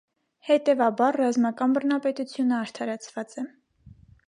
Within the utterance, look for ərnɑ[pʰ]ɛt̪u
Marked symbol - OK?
no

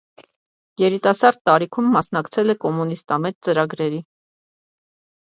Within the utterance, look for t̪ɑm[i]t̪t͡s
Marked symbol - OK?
no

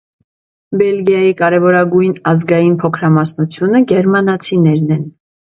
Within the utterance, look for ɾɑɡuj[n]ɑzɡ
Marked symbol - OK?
yes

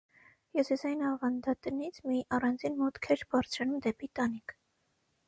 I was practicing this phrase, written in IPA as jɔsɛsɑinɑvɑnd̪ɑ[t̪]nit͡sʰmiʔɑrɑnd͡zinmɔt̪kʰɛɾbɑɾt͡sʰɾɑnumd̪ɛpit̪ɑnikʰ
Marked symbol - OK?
yes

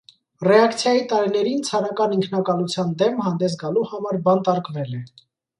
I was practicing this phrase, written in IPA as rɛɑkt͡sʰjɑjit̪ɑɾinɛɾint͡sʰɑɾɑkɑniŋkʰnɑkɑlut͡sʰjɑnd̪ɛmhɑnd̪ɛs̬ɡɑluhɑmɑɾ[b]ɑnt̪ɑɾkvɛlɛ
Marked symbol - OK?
yes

